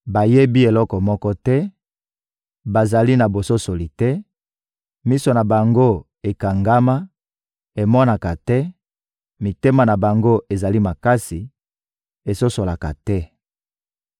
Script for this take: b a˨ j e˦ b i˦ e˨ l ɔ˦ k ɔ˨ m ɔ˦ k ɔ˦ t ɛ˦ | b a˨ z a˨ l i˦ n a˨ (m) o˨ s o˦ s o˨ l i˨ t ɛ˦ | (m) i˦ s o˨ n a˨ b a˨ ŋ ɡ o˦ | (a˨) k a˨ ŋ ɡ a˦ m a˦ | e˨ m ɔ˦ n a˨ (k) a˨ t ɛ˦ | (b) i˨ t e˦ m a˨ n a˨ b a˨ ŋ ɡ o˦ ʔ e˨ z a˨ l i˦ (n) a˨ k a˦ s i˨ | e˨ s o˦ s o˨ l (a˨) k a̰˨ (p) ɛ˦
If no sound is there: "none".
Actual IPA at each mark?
b, m, e˨, k, m, m, a˨, t

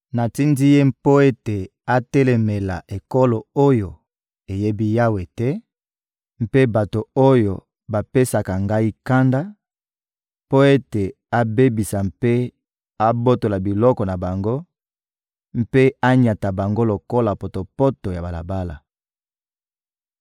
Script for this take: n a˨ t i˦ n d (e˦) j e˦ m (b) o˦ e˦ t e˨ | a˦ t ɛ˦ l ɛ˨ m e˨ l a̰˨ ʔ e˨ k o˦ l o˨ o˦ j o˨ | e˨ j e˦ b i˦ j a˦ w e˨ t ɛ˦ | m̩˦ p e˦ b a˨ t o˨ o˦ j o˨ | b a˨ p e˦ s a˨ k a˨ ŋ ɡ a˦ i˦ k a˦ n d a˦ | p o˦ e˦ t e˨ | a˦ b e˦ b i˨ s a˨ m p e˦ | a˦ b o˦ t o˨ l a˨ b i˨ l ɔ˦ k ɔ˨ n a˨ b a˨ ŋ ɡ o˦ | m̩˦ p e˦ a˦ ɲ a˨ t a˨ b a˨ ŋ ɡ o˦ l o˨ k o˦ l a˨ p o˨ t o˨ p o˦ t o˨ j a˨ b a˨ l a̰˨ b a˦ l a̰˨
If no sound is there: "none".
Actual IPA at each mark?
i˦, p

